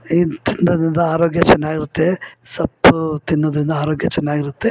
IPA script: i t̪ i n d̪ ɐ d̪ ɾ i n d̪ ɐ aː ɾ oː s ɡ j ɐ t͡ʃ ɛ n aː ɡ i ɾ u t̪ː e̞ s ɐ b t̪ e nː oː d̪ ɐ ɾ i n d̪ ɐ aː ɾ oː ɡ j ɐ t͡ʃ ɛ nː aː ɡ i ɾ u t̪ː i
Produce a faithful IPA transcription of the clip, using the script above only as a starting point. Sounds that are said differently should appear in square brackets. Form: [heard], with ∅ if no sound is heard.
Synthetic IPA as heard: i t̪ i n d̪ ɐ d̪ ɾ i n d̪ ɐ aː ɾ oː [∅] ɡ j ɐ t͡ʃ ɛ [nː] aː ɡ i ɾ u t̪ː e̞ s ɐ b t̪ [i] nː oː d̪ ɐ ɾ i n d̪ ɐ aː ɾ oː ɡ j ɐ t͡ʃ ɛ nː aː ɡ i ɾ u t̪ː [e]